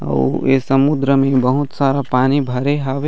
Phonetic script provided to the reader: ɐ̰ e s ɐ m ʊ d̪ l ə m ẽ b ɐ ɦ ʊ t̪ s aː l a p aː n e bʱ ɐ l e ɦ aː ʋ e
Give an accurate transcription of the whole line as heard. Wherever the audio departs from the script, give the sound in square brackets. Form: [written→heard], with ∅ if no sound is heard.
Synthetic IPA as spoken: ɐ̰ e s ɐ m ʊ d̪ [l→ɾ] ə m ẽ b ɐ ɦ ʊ t̪ s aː [l→ɾ] a p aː n [e→i] bʱ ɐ [l→ɾ] e ɦ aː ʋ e